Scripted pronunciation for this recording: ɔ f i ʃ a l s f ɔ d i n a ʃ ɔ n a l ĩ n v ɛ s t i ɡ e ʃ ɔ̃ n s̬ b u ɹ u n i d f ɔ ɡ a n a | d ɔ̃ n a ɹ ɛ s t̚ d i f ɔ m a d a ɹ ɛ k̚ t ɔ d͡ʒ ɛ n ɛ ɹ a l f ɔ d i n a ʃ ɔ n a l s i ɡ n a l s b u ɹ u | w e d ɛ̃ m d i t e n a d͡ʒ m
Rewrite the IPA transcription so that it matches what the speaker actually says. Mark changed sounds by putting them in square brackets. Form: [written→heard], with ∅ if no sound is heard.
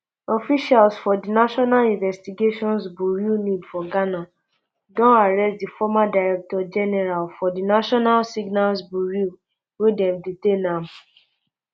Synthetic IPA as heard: ɔ f i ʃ a l s f ɔ d i n a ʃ ɔ n a l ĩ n v ɛ s t i ɡ e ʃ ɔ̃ n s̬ b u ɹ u n i d f ɔ ɡ a n a | d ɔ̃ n a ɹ ɛ s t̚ d i f ɔ m a d a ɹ ɛ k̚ t ɔ d͡ʒ ɛ n ɛ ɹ a l f ɔ d i n a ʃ ɔ n a l s i ɡ n a l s b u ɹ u | w e d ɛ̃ m d i t e n a [d͡ʒ→∅] m